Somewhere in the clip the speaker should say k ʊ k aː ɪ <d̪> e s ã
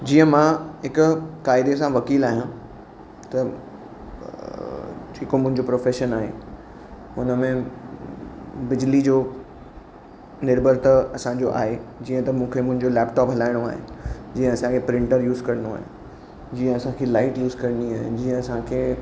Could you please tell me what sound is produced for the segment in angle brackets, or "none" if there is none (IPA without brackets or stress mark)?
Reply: d̪